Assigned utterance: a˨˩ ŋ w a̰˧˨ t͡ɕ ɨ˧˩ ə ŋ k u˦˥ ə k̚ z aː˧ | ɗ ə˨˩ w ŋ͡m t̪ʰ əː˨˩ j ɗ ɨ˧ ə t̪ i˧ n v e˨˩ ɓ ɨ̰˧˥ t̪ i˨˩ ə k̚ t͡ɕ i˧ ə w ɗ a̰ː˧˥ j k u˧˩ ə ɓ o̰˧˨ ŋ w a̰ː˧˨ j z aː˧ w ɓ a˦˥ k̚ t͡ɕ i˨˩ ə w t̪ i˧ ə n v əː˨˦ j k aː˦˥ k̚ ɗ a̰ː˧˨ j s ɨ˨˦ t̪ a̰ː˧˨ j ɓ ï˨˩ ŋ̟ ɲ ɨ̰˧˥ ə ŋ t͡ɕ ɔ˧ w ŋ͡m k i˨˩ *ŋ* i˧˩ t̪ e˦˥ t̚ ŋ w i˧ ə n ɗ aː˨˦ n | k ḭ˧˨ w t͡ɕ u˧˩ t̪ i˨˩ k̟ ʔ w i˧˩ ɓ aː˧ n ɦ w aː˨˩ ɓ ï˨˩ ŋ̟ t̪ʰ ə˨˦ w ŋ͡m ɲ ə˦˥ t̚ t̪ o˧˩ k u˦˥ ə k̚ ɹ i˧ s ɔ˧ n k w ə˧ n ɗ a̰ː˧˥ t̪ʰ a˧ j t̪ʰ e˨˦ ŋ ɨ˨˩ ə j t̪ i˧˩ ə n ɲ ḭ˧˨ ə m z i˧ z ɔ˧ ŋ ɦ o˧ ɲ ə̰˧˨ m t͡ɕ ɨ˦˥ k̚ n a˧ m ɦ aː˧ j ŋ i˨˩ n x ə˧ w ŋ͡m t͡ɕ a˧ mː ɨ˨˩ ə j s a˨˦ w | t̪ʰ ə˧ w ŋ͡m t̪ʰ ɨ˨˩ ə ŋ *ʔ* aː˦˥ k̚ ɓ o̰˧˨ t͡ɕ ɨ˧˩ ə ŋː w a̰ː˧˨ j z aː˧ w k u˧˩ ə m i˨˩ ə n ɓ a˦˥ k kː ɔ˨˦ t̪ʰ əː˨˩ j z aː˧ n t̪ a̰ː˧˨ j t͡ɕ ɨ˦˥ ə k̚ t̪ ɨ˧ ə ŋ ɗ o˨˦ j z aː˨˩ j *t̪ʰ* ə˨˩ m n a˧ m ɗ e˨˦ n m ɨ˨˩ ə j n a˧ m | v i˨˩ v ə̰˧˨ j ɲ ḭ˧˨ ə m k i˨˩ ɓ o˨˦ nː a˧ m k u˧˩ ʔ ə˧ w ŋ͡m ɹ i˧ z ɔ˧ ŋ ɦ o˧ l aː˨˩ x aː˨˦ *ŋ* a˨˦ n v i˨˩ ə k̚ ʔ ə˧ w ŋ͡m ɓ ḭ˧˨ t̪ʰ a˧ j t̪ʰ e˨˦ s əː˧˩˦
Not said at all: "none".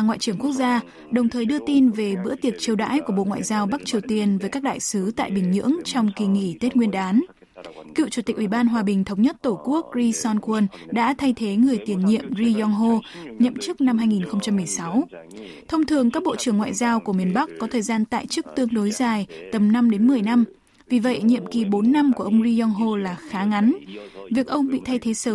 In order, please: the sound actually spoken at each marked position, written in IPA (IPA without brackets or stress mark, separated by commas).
ŋ, k, t̪, ŋ